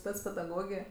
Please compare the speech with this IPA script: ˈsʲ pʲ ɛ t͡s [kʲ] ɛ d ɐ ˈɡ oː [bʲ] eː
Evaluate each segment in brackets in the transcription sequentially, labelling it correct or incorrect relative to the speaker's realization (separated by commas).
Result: incorrect, incorrect